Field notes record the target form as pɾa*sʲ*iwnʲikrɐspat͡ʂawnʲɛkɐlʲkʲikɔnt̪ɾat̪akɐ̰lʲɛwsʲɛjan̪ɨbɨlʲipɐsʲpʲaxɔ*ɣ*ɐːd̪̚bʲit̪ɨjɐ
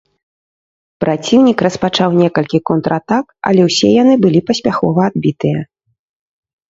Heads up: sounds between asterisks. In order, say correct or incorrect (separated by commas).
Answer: incorrect, incorrect